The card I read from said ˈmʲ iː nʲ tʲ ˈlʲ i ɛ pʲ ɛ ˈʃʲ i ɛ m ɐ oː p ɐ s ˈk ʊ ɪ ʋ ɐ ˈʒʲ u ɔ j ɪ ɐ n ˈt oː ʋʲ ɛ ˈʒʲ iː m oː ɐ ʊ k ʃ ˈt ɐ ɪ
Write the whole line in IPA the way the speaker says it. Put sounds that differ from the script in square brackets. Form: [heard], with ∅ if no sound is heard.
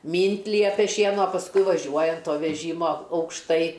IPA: ˈmʲ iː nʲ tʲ ˈlʲ i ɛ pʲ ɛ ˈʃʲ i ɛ [n] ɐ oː p ɐ s ˈk ʊ ɪ ʋ ɐ ˈʒʲ u ɔ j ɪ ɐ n ˈt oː ʋʲ ɛ ˈʒʲ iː m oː ɐ ʊ k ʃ ˈt ɐ ɪ